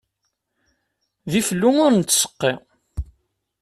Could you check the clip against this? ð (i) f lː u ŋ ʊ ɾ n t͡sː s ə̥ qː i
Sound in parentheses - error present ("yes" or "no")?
no